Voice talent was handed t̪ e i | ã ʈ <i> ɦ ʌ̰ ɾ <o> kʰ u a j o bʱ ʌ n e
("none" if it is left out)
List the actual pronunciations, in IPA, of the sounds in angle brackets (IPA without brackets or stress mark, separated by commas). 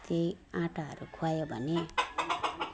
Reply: a, u